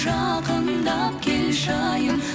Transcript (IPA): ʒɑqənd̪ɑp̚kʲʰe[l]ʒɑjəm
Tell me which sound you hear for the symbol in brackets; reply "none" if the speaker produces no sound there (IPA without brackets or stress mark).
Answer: l